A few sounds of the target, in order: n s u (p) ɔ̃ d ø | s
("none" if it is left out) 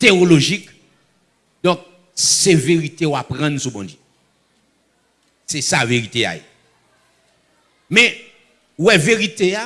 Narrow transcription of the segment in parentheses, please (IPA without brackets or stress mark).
b